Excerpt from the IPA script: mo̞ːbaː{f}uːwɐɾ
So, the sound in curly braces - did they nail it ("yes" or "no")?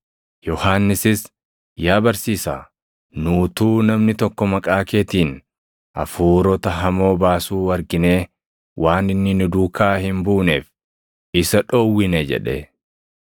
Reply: no